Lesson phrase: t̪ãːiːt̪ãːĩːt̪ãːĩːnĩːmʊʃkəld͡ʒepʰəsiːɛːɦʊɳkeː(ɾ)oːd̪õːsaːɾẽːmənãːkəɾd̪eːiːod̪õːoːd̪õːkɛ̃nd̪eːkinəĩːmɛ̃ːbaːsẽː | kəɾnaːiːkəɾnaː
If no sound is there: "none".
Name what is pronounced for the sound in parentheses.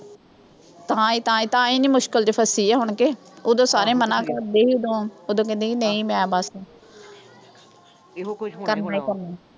none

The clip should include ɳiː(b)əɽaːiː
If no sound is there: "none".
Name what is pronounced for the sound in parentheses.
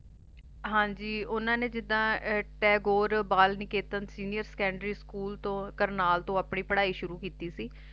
p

